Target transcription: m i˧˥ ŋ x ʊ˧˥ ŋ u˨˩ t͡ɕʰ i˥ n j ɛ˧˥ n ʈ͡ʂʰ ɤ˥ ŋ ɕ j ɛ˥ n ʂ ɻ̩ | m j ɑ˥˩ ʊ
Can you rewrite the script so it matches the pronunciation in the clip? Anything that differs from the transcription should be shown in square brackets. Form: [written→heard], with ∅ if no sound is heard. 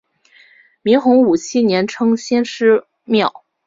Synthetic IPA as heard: m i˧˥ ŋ x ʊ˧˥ ŋ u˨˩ t͡ɕʰ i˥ n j ɛ˧˥ n ʈ͡ʂʰ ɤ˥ ŋ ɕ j ɛ˥ n ʂ ɻ̩ | m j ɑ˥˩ ʊ